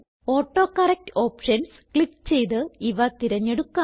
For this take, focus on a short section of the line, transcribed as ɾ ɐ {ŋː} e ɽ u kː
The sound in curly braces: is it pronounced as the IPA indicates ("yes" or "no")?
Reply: no